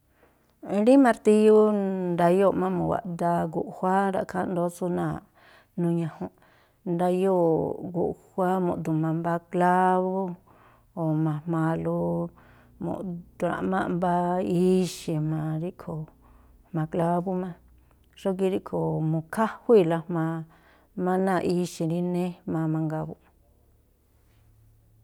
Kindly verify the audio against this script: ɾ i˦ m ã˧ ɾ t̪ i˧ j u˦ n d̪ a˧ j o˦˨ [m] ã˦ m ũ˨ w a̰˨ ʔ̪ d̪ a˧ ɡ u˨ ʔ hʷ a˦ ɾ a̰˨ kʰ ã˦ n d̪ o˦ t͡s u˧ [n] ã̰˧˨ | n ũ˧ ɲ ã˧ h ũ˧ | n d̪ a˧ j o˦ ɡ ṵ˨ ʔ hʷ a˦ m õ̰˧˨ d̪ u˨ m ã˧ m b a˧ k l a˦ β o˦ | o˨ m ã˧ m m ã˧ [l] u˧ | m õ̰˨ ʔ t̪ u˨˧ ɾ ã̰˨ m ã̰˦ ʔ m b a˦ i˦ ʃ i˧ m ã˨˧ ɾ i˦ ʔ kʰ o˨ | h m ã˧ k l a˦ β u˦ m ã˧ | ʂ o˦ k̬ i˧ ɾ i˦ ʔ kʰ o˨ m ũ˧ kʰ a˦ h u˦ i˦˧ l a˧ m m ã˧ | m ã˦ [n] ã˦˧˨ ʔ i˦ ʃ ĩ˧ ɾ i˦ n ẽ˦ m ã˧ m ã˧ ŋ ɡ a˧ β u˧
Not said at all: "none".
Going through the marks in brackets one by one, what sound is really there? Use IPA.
m, n, l, n

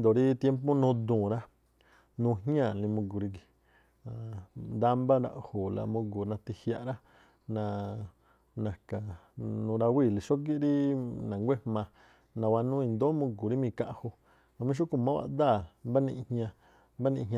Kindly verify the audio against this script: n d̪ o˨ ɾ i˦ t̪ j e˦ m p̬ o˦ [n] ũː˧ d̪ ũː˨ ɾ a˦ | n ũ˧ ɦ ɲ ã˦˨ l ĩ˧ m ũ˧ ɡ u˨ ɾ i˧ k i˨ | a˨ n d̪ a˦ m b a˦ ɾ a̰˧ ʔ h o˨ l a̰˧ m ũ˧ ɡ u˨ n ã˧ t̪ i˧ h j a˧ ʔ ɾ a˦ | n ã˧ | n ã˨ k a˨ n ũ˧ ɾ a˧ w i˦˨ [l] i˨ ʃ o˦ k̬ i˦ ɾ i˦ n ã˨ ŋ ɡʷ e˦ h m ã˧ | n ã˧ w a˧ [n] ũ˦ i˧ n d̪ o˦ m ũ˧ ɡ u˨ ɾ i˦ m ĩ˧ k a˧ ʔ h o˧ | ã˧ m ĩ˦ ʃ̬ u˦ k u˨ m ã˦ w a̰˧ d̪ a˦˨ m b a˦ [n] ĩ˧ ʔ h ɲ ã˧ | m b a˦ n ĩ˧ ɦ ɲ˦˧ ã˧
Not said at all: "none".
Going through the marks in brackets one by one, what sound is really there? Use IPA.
n, l, n, n

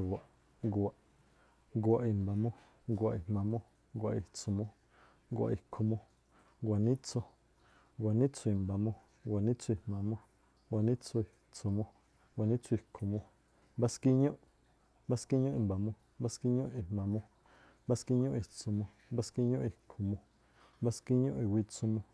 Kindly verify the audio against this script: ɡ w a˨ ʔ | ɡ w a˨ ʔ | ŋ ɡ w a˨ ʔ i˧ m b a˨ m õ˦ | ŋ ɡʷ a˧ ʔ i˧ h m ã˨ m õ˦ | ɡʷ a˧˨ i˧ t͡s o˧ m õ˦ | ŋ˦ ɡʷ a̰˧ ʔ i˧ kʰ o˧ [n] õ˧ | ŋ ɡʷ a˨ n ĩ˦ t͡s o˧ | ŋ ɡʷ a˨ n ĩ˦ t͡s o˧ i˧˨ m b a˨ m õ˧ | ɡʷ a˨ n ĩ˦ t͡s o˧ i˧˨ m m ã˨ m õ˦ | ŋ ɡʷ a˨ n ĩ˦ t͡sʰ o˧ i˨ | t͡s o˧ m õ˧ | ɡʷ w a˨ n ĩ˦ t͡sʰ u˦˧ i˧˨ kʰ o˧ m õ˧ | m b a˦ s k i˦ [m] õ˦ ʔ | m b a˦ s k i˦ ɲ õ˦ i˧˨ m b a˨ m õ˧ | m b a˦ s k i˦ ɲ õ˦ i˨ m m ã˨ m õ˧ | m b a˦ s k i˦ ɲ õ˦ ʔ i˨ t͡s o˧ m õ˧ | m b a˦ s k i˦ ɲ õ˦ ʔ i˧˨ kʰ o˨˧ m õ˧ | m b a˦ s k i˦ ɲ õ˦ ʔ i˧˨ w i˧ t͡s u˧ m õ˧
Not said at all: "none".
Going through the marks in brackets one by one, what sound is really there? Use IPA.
m, ɲ

